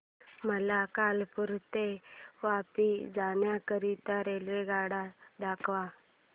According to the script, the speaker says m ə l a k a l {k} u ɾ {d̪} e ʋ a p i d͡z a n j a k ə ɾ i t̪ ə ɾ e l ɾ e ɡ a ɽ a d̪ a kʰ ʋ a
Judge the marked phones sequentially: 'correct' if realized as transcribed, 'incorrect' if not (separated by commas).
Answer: incorrect, incorrect